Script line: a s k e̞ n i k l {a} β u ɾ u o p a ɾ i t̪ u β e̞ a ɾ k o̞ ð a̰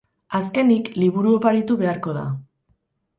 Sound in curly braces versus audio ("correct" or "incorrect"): incorrect